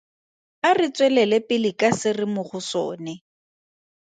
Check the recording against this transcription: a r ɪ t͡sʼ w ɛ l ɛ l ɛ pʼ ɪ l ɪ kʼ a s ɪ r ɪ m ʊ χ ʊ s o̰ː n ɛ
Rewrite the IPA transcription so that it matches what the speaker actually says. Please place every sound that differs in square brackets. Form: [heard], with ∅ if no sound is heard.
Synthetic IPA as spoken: a r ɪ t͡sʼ w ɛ l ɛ l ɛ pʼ ɪ l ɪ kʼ a s ɪ r ɪ m ʊ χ ʊ s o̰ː n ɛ